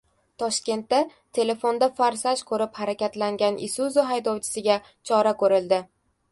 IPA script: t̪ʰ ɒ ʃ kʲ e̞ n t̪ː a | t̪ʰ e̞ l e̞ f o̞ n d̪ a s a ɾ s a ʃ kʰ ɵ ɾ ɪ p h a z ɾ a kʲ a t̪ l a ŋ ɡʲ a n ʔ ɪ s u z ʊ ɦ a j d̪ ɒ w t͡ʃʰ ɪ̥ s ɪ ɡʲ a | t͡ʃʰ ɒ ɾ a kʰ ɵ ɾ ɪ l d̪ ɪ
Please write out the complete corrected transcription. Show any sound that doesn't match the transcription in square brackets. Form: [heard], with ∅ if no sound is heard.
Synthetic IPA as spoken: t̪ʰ ɒ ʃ kʲ e̞ n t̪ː a | t̪ʰ e̞ l e̞ f o̞ n d̪ a [f] a ɾ s a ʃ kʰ ɵ ɾ ɪ p h a [∅] ɾ a kʲ a t̪ l a ŋ ɡʲ a n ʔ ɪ s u z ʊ ɦ a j d̪ ɒ w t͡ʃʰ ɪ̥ s ɪ ɡʲ a | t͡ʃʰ ɒ ɾ a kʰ ɵ ɾ ɪ l d̪ ɪ